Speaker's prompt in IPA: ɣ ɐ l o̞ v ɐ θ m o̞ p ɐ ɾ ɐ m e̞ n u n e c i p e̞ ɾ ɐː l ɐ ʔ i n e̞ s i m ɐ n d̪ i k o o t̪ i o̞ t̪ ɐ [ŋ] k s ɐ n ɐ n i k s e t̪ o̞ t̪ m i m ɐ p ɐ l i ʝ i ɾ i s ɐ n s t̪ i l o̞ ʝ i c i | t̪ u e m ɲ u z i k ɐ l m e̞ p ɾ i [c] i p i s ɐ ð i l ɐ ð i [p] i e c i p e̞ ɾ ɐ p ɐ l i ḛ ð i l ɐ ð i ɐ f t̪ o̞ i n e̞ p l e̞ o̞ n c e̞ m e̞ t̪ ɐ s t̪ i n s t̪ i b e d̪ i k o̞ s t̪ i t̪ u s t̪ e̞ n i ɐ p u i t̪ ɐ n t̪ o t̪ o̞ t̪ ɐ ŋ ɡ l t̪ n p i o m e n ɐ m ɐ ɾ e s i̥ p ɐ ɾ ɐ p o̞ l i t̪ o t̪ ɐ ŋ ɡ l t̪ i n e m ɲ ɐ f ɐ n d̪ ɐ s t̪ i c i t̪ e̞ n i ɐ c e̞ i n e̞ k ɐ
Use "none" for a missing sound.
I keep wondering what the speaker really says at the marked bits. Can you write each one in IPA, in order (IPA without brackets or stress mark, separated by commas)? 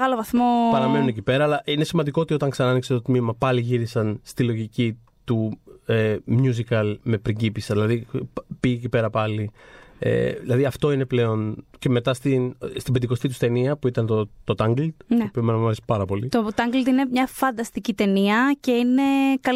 ŋ, ɟ, p